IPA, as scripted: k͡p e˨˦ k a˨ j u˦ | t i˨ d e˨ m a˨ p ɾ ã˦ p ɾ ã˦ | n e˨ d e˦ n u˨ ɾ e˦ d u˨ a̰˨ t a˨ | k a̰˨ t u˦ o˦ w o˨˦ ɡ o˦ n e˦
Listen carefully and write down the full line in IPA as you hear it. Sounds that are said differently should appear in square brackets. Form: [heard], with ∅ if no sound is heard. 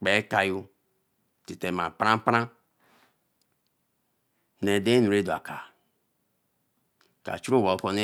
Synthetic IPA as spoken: k͡p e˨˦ k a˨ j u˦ | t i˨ [t] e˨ m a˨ p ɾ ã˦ p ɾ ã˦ | n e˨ d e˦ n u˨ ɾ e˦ d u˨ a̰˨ [k] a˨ | k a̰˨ [t͡ʃ] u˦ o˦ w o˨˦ [k] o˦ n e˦

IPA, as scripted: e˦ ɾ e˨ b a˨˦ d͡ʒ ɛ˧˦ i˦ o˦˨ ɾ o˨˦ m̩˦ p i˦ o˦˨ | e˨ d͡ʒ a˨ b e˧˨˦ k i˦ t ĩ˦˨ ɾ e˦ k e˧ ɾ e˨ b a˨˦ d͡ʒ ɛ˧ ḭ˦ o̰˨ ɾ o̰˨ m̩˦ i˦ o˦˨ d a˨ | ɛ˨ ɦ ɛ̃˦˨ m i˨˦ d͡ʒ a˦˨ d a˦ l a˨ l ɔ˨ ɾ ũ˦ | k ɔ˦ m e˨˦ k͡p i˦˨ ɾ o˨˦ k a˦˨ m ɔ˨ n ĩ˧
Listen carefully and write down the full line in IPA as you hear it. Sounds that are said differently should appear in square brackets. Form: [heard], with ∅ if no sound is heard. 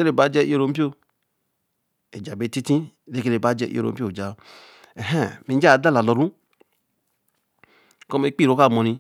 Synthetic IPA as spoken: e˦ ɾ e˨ b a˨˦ d͡ʒ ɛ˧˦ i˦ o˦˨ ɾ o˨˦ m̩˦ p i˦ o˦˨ | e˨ d͡ʒ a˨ b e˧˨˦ [t] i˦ t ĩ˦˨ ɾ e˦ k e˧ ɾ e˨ b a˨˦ d͡ʒ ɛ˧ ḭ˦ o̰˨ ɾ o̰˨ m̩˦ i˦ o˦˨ [d͡ʒ] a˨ | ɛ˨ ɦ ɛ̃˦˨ m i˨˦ d͡ʒ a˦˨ d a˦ l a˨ l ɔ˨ ɾ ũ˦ | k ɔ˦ m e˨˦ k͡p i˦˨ ɾ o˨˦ k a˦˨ m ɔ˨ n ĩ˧

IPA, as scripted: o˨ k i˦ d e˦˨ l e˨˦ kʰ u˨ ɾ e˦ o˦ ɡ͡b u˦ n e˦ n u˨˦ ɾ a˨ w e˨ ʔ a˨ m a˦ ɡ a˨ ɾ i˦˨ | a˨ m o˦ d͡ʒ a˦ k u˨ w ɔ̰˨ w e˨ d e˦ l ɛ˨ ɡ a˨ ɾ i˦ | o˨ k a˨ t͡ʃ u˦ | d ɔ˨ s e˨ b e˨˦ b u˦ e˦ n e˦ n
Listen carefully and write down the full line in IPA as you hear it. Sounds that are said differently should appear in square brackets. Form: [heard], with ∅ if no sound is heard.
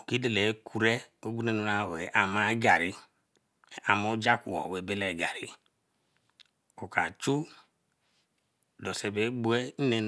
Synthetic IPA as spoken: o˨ k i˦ d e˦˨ l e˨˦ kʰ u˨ ɾ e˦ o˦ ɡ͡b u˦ n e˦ n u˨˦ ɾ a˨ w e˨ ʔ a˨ m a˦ ɡ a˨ ɾ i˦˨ | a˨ m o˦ d͡ʒ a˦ k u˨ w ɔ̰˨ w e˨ [b] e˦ l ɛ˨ ɡ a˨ ɾ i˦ | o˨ k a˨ t͡ʃ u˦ | d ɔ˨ s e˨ b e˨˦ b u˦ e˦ n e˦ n

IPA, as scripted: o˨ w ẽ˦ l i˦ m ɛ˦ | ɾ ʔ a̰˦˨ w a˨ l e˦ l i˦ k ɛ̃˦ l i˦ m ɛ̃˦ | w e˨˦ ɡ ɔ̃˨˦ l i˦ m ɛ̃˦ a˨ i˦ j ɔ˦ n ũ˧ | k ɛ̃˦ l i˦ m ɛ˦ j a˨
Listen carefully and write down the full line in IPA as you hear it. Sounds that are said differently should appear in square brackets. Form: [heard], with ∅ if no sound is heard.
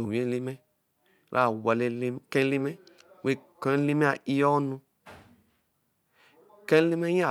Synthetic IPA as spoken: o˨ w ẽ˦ l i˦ m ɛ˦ | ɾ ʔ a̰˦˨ w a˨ l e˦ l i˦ k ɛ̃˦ l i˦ m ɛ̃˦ | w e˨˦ [k] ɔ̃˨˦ l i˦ m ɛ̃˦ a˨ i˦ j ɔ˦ n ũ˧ | k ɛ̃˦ l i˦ m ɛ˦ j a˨

